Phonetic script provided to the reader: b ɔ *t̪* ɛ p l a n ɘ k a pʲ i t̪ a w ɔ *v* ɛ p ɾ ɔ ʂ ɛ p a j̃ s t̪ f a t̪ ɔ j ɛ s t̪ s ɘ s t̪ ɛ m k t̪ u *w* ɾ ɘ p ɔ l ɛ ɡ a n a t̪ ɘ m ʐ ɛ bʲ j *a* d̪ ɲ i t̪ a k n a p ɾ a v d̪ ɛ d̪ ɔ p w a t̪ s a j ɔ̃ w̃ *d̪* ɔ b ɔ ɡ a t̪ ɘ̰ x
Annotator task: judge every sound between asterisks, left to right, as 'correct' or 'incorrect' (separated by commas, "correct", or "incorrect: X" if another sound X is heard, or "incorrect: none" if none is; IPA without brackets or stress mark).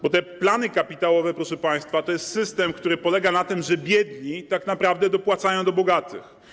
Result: correct, correct, incorrect: none, incorrect: ɛ, correct